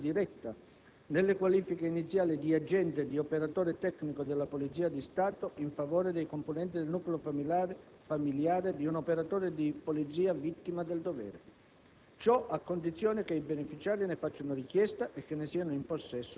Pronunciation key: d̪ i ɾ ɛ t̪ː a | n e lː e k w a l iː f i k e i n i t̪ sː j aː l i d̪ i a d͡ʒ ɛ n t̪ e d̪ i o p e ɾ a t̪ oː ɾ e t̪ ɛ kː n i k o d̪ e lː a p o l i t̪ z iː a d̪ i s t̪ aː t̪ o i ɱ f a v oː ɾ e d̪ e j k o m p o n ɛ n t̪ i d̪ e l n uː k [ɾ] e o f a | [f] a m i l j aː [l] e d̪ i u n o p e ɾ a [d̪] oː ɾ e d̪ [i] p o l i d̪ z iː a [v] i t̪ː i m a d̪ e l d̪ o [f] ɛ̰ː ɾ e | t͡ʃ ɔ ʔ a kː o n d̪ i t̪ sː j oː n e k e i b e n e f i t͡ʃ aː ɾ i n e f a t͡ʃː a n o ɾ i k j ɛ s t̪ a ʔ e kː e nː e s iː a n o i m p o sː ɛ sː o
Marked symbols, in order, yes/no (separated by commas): no, yes, no, no, yes, yes, no